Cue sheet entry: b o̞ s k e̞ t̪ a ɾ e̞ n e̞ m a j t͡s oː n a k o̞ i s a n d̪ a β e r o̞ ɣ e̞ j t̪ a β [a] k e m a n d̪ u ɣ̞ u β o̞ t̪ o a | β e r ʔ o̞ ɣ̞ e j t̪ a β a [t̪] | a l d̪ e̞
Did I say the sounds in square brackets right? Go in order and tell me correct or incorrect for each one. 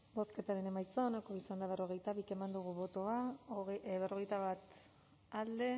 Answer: incorrect: i, correct

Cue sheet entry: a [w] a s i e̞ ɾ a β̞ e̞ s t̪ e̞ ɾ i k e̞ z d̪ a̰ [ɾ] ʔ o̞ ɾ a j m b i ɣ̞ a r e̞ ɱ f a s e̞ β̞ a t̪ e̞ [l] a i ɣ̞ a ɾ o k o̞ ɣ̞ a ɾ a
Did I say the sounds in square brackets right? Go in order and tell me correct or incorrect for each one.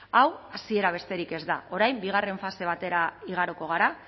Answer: correct, incorrect: none, incorrect: ɾ

